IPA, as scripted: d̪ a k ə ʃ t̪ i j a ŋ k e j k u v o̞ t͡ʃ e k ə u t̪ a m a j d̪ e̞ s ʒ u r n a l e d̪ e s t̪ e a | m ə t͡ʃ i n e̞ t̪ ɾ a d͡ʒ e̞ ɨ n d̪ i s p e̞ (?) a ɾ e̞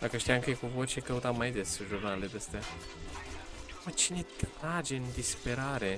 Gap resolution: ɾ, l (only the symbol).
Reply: ɾ